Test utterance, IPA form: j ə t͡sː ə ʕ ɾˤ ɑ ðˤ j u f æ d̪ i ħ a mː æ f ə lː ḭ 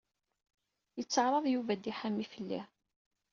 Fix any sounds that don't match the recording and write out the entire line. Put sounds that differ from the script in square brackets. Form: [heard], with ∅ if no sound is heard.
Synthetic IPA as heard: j ə t͡sː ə ʕ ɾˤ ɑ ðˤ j u [v] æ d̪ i ħ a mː [i] f ə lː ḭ